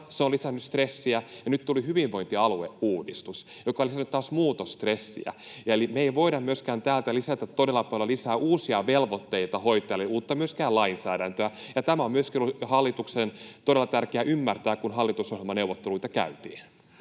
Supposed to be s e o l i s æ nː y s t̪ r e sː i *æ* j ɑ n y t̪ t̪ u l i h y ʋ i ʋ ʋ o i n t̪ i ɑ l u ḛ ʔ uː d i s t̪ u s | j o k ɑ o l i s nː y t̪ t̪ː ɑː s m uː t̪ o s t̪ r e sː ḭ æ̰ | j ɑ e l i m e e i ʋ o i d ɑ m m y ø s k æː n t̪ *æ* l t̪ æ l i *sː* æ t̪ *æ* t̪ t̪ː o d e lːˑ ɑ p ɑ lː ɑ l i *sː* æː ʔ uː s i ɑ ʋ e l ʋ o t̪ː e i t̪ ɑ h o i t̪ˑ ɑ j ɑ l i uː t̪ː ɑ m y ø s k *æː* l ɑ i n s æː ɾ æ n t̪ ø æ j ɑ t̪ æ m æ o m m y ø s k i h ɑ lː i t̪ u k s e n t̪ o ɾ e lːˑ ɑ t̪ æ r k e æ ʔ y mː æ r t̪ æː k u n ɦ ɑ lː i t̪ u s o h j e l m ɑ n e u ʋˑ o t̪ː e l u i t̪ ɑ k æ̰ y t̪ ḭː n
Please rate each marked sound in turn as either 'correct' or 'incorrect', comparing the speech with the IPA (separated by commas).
correct, incorrect, incorrect, correct, incorrect, correct